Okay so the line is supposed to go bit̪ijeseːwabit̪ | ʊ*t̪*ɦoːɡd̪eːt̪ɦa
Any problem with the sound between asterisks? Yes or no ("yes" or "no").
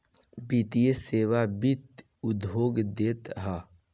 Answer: yes